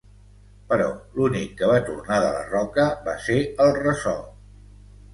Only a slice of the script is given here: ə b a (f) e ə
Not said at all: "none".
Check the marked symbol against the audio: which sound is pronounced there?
s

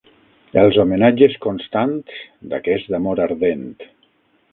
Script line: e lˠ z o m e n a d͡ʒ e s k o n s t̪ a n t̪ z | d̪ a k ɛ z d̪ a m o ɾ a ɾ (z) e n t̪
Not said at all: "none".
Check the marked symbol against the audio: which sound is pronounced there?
ð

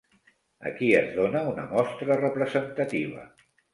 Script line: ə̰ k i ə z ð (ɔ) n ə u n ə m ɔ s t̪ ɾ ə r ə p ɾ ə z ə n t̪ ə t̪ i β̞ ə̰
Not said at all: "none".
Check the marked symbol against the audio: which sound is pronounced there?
o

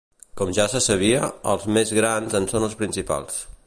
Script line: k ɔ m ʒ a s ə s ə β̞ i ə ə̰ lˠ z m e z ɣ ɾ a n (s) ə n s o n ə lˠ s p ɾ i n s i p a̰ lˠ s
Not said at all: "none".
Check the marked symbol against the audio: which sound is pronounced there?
z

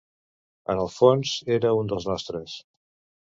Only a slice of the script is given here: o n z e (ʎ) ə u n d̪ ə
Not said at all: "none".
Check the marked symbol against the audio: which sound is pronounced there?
ɾ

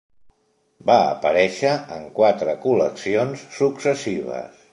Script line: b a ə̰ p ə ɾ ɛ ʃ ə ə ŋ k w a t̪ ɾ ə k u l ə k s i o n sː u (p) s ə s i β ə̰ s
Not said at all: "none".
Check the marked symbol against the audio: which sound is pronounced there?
k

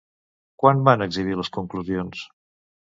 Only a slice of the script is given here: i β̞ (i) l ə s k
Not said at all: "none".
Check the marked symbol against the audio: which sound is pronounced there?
i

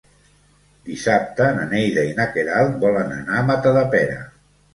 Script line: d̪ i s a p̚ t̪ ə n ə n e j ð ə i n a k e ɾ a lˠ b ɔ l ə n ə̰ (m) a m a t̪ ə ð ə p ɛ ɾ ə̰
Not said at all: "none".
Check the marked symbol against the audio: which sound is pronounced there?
n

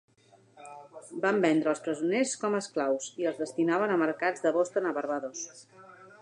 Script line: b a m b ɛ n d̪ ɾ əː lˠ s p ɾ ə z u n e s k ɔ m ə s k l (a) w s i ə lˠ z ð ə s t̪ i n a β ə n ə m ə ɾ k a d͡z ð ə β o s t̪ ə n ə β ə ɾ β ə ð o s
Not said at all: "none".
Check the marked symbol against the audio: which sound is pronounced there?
a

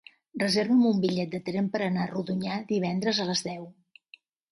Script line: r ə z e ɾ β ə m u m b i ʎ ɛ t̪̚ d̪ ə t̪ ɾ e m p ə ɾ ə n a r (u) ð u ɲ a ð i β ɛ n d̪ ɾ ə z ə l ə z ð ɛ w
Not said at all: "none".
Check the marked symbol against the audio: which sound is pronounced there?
u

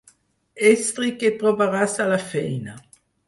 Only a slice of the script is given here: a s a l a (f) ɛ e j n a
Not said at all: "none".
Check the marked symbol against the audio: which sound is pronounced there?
f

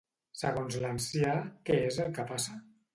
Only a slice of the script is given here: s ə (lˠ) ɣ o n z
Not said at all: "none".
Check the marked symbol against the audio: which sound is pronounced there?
none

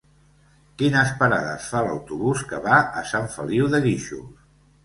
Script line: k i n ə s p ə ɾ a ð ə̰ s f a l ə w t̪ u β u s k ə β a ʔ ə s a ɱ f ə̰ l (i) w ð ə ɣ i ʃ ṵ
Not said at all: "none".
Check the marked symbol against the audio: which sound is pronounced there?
i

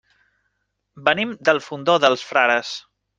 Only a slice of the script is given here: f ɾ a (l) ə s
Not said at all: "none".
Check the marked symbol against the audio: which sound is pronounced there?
ɾ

